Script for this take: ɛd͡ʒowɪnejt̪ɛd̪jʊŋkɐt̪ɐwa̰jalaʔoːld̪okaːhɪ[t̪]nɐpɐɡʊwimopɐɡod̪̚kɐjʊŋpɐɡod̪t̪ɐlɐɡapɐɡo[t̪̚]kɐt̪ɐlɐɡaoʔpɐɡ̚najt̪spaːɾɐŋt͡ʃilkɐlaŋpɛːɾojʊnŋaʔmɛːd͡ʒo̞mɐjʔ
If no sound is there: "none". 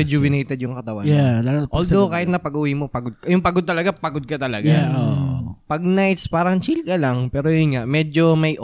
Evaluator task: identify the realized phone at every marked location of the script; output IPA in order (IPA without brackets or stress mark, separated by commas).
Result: t̪, d̪̚